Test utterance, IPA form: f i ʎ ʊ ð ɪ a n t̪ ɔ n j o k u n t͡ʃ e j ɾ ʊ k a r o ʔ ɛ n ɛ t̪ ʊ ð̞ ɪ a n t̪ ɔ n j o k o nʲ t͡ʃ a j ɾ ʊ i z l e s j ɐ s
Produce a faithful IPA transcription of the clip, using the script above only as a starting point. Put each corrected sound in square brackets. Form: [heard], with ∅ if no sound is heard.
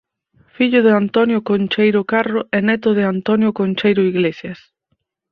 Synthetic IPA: f i ʎ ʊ ð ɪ a n t̪ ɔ n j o k [o] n t͡ʃ e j ɾ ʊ k a r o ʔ ɛ n ɛ t̪ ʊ ð̞ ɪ a n t̪ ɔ n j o k o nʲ t͡ʃ [e] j ɾ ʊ i [ɣ] l e s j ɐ s